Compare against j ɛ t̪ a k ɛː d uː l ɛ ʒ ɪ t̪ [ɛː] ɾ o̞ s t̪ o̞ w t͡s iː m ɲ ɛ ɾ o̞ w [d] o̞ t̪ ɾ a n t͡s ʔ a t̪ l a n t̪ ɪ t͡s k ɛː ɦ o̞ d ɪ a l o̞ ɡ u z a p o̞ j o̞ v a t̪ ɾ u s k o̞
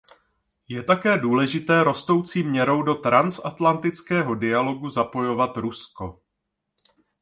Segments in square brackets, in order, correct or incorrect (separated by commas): correct, correct